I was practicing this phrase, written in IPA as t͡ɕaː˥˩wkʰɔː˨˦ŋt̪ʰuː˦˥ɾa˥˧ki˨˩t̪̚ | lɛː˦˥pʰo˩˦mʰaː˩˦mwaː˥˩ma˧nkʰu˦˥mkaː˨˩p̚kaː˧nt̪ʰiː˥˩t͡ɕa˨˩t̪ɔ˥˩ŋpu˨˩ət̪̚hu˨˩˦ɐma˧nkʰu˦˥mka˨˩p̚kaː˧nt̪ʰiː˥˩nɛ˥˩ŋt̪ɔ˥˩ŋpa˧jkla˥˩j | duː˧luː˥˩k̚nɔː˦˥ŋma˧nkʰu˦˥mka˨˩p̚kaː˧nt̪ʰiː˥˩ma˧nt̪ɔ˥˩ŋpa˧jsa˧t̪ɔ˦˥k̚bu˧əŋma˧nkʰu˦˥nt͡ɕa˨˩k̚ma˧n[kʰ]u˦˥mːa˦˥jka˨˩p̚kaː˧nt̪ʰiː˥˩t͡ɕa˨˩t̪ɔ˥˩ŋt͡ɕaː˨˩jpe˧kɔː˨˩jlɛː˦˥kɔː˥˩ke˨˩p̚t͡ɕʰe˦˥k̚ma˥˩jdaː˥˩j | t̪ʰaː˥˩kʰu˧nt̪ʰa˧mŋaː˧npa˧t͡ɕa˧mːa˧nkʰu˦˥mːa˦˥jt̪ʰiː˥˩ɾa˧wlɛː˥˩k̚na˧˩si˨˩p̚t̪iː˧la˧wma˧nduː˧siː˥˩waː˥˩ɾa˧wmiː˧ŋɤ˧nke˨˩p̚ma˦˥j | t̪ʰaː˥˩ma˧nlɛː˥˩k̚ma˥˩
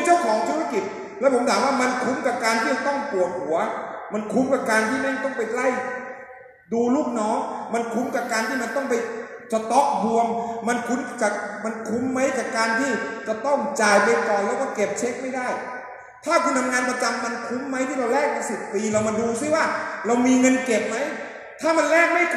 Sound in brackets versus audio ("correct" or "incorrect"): correct